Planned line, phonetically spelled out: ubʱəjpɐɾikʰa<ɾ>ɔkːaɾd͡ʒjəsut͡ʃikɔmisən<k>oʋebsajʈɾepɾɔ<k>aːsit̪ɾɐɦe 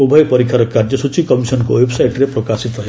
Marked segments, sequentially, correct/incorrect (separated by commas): correct, correct, correct